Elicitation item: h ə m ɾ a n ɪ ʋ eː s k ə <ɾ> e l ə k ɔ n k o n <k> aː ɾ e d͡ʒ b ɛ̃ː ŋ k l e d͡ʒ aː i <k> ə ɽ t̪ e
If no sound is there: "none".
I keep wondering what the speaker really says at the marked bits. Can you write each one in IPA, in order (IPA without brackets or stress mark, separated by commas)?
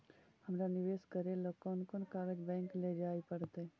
ɾ, k, p